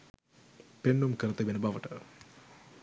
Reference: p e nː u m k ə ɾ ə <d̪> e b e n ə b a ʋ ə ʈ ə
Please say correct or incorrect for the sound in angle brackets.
incorrect